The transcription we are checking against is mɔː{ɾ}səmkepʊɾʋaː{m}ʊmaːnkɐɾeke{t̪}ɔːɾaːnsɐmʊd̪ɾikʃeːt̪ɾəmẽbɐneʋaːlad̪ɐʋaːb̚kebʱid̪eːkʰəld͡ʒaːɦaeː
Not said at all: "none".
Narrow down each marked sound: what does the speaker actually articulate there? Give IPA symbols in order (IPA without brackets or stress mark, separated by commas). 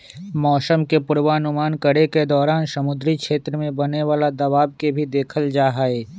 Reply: none, n, d̪